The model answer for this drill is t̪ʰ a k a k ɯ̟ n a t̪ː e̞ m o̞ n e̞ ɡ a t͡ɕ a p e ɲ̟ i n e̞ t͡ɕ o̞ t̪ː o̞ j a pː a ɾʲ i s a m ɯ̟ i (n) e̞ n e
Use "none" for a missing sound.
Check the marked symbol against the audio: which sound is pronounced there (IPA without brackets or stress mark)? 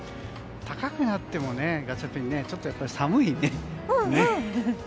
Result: n